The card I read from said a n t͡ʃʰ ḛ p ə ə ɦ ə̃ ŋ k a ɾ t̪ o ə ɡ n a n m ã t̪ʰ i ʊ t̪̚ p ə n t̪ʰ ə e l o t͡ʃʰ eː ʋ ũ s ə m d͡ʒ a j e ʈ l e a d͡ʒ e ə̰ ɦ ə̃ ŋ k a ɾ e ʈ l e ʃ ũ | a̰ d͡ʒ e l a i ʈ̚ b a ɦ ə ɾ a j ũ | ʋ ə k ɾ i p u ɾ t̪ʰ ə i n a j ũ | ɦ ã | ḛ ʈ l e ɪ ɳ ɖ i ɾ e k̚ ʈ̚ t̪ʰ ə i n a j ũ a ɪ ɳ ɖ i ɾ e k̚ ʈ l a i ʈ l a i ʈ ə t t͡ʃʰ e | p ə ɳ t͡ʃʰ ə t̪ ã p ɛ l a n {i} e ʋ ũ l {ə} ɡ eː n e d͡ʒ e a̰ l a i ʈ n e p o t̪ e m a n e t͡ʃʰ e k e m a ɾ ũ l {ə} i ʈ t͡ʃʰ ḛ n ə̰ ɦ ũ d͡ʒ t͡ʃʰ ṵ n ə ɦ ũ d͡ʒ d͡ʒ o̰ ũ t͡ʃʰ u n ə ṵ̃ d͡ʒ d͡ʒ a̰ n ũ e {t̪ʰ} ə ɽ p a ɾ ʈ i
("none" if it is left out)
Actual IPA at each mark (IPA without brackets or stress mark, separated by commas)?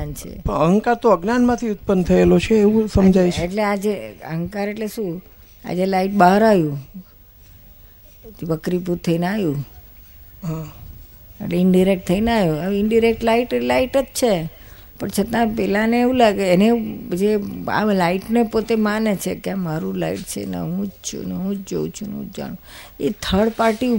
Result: e, a, a, t̪ʰ